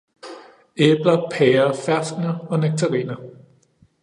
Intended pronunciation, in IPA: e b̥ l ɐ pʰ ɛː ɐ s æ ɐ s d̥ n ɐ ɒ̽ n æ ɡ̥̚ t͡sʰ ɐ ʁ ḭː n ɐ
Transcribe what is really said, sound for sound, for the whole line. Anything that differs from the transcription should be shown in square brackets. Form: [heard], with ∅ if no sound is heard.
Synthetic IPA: e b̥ l ɐ pʰ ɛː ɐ [f] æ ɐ s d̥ n ɐ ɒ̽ n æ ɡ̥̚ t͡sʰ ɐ ʁ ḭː n ɐ